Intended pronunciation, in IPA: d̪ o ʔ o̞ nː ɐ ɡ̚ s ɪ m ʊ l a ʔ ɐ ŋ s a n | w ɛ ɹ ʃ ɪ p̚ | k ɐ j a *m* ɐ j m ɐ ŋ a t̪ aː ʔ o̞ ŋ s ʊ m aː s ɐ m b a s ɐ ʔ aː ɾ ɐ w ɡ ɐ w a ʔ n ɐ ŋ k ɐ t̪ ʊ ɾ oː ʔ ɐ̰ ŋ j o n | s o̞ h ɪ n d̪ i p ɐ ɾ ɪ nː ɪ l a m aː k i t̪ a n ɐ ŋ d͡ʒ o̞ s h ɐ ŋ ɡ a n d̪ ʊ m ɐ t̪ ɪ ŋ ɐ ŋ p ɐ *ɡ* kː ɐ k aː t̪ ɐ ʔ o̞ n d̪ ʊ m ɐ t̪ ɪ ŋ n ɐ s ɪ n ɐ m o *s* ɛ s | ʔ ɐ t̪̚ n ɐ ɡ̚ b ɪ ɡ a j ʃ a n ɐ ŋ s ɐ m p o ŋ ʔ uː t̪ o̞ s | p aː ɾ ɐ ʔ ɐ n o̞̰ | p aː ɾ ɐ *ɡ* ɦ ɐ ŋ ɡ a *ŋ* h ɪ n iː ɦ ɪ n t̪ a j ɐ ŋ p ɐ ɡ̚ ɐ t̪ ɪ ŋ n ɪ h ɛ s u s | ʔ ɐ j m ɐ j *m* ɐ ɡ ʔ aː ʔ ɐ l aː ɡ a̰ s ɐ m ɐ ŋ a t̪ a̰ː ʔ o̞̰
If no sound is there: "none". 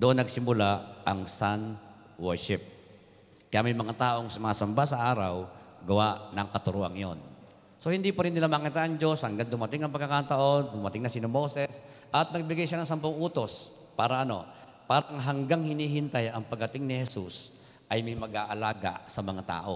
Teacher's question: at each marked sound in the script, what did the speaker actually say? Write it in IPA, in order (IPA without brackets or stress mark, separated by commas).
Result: m, ɡ, s, ŋ, ŋ, m